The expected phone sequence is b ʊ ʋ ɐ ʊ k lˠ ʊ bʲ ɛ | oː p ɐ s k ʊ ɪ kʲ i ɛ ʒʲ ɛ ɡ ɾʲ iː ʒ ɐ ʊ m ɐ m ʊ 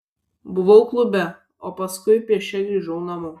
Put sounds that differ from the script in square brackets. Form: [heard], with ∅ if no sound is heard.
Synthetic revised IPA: b ʊ ʋ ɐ ʊ k lˠ ʊ bʲ ɛ | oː p ɐ s k ʊ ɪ [pʲ] i ɛ [ʃʲ] ɛ ɡ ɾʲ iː ʒ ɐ ʊ [n] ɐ m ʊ